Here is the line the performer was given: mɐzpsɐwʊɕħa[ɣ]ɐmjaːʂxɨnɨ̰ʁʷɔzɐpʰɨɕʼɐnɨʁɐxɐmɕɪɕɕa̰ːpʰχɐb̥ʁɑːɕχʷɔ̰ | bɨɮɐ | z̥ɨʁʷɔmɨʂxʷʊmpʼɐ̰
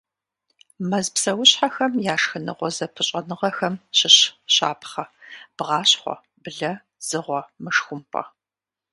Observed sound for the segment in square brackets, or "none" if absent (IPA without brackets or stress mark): x